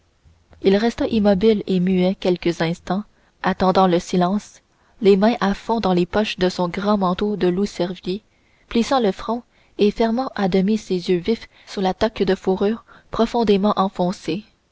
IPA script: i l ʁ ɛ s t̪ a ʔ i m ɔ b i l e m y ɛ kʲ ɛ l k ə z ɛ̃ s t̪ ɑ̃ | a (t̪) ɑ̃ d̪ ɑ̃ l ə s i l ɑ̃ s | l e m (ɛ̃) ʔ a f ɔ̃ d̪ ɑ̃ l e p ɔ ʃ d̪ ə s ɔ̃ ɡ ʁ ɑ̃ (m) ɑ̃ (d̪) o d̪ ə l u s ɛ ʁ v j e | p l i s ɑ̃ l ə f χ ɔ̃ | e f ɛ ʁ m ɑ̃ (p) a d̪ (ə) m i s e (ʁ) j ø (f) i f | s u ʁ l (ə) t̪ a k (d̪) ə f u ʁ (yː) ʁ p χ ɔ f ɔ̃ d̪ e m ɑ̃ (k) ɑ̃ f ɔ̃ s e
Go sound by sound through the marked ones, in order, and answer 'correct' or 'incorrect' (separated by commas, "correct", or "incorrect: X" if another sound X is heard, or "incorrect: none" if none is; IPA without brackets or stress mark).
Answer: correct, correct, correct, incorrect: t̪, incorrect: ʔ, correct, incorrect: z, incorrect: v, incorrect: a, correct, correct, incorrect: ʔ